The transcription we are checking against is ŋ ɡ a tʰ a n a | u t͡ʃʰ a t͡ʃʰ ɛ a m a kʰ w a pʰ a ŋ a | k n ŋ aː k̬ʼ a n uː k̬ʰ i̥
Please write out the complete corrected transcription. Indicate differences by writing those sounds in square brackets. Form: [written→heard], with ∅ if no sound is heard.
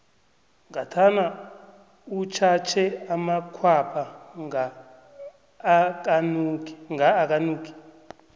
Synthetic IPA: ŋ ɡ a tʰ a n a | u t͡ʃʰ a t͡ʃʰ ɛ a m a kʰ w a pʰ a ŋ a | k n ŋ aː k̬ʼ a n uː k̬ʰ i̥